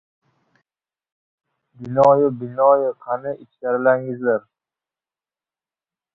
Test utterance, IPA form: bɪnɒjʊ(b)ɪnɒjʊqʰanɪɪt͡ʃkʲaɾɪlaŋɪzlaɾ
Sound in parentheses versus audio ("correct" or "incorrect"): correct